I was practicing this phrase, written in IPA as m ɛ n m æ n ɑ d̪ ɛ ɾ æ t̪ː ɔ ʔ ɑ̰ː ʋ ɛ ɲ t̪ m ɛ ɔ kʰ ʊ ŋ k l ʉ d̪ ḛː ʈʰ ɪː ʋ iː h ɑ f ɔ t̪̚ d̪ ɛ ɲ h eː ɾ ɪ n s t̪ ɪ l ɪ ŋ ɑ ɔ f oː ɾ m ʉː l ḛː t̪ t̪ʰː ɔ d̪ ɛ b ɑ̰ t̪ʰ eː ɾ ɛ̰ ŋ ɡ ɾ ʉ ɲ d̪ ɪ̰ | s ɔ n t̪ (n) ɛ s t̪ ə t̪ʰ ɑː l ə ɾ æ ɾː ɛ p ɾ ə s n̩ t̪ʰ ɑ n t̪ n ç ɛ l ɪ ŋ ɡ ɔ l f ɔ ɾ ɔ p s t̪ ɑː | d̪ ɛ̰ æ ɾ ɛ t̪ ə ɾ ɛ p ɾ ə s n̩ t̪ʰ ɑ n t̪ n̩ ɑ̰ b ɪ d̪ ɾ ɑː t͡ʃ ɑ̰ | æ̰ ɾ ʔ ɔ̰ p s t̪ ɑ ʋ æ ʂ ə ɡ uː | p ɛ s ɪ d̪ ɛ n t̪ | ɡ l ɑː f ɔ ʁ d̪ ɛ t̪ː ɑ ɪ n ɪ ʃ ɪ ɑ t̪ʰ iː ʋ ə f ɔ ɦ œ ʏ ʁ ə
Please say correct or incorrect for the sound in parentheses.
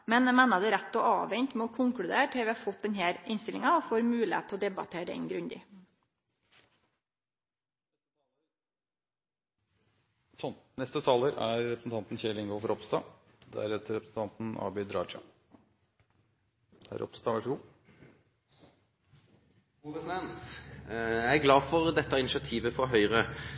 correct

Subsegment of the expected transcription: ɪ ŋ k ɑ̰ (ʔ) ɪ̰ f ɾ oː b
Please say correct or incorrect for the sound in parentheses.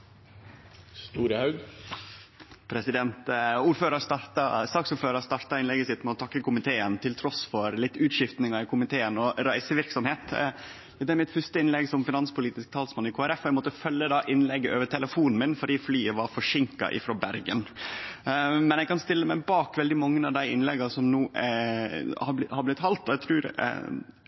correct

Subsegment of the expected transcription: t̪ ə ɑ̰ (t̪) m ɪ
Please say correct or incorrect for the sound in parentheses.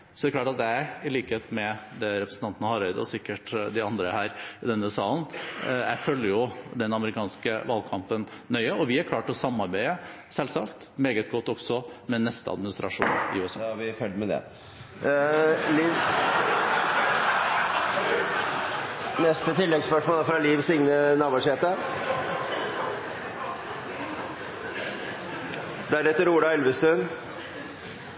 incorrect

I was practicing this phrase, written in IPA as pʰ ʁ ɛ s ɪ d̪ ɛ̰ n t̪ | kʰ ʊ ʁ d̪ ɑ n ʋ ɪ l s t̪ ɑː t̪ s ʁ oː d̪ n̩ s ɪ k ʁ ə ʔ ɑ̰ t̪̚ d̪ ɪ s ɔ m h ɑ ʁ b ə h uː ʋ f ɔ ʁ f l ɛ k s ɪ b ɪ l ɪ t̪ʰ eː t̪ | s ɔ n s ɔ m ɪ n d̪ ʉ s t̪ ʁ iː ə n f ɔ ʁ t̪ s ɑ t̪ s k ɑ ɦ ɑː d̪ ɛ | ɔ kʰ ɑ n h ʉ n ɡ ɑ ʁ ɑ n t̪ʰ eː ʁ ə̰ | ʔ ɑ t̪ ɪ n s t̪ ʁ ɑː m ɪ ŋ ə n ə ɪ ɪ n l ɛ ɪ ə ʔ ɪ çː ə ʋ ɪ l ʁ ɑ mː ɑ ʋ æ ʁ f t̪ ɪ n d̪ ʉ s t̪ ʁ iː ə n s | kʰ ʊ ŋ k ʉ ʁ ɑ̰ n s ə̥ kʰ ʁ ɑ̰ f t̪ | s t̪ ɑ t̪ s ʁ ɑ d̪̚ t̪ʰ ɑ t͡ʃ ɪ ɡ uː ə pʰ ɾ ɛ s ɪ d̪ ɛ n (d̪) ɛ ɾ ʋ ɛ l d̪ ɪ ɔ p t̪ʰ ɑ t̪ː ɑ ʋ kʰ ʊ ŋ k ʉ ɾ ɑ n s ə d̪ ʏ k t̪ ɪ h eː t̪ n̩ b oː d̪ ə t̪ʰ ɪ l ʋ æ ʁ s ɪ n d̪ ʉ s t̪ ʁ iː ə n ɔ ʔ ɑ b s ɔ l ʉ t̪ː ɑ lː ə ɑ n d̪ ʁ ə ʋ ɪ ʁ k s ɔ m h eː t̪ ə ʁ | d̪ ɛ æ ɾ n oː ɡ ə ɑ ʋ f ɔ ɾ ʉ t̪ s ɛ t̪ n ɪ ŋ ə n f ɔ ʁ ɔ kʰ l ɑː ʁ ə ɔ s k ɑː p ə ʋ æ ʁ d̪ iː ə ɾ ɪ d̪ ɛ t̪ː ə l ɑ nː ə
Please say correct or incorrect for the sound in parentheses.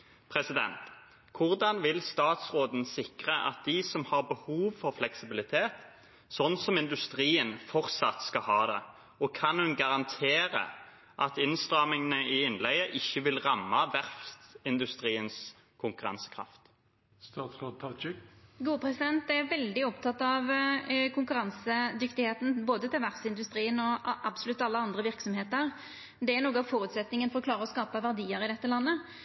incorrect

